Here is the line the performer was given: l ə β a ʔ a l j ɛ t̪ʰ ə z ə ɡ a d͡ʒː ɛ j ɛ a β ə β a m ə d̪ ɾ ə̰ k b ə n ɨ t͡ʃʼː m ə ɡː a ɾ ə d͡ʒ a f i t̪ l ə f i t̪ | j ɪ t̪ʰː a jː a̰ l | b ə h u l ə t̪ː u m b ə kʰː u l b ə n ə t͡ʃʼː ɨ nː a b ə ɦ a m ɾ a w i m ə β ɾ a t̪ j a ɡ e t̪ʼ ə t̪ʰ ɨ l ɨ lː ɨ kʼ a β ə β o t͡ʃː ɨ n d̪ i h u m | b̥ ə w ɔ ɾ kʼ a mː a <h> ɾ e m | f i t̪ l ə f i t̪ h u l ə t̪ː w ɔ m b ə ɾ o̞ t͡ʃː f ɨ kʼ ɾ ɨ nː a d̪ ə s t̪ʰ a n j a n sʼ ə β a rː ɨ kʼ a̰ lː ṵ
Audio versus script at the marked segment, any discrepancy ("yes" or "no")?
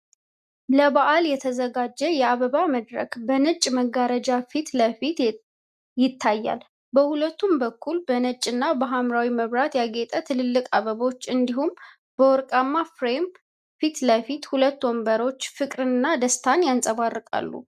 yes